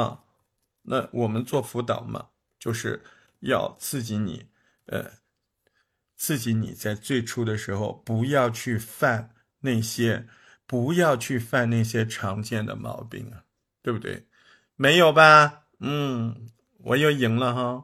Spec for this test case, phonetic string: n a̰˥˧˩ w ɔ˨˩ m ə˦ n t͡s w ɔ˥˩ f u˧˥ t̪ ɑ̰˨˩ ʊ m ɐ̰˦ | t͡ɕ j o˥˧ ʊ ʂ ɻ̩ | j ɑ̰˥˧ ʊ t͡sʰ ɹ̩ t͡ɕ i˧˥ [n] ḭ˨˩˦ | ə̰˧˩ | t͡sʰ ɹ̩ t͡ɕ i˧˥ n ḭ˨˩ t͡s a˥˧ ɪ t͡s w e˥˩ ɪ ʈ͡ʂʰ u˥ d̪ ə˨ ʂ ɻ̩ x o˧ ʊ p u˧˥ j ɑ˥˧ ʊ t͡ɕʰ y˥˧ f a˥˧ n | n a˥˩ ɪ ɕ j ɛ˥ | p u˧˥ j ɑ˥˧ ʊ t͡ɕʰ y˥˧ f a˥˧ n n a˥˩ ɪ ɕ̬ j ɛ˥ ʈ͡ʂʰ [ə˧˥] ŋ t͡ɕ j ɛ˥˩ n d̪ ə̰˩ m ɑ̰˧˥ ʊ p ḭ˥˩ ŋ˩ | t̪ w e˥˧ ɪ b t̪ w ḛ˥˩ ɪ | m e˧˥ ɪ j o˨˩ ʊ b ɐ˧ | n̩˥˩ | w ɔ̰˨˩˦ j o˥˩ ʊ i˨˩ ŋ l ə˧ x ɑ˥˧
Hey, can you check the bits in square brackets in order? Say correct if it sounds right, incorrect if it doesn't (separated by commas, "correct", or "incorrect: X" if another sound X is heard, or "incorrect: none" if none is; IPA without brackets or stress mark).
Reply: correct, incorrect: ɑ˧˥